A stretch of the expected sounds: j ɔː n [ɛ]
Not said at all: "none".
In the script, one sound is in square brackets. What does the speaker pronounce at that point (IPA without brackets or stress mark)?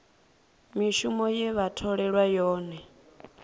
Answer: ɛ